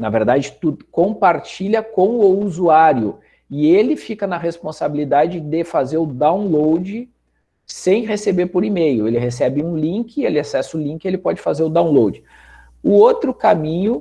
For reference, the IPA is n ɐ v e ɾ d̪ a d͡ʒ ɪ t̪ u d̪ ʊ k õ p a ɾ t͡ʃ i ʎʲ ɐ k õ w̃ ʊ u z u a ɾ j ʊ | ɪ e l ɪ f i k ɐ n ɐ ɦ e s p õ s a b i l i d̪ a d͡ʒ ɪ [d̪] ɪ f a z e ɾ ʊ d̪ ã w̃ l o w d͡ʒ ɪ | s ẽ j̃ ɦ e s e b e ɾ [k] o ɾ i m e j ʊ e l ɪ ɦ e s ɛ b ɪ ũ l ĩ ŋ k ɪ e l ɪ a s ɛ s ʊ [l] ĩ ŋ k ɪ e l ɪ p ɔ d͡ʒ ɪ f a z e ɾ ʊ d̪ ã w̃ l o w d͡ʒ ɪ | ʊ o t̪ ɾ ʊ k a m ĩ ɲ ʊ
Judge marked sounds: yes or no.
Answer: yes, no, yes

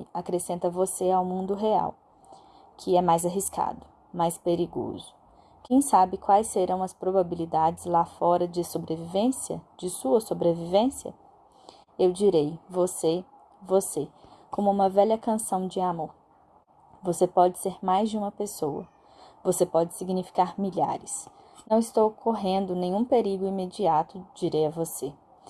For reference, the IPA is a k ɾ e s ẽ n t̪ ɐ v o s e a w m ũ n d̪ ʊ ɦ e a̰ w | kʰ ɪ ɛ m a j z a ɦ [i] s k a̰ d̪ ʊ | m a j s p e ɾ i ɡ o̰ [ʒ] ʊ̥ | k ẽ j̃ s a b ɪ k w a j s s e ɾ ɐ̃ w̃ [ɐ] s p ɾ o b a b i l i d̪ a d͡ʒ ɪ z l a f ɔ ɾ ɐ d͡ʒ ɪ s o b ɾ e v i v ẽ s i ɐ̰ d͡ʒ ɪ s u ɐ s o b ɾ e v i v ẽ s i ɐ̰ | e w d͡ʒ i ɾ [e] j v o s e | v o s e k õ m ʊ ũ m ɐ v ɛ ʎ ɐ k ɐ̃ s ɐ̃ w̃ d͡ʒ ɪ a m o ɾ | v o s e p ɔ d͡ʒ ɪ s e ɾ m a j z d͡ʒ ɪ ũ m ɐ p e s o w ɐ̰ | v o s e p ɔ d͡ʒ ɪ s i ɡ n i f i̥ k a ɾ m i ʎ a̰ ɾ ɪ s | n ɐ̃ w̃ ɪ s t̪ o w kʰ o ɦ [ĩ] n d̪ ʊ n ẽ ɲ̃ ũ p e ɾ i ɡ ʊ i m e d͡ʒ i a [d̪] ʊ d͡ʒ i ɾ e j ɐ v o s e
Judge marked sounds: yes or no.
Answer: yes, no, yes, yes, no, no

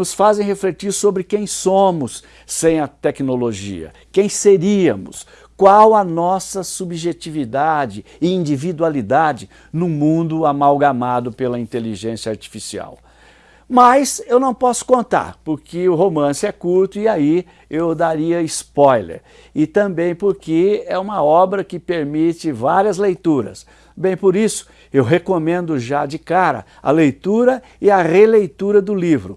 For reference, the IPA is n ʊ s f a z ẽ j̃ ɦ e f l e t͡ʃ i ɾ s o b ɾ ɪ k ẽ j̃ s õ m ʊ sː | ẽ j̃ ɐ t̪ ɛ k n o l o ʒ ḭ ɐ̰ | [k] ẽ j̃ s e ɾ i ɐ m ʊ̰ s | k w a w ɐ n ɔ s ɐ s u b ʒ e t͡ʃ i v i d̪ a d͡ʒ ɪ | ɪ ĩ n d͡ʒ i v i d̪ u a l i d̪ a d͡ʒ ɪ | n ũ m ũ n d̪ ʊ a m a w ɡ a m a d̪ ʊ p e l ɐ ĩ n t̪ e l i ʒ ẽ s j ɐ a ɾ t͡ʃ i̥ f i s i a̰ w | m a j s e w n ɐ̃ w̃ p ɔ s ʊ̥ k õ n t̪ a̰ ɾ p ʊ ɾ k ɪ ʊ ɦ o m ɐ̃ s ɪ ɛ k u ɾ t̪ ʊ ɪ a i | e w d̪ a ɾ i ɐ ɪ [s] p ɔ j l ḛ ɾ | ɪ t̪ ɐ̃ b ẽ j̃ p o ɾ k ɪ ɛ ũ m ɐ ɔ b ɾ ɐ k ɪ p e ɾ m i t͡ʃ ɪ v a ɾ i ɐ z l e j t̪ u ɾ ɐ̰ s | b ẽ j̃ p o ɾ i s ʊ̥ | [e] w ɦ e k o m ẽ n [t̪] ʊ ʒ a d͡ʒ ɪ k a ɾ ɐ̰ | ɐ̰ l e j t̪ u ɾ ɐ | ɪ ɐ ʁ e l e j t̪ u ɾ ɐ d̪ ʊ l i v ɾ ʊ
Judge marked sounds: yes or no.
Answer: yes, yes, yes, no

